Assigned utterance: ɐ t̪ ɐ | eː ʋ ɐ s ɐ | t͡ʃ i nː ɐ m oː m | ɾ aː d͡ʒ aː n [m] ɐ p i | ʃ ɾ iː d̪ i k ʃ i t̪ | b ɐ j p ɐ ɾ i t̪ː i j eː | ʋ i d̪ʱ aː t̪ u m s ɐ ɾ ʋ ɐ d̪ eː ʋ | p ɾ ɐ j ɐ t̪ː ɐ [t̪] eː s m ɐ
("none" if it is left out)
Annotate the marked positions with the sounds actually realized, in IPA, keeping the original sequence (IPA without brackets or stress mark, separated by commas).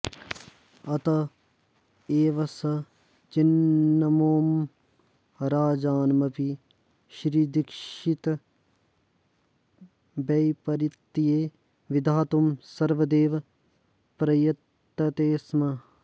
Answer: m, t̪